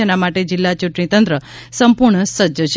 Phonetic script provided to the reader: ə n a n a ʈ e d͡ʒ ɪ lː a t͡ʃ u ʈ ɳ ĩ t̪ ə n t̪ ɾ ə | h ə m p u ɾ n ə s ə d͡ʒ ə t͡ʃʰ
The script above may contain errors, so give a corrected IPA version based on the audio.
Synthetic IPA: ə n a m a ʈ e d͡ʒ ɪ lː a t͡ʃ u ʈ ɳ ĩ t̪ ə n t̪ ɾ ə | s ə m p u ɾ ɳ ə s ə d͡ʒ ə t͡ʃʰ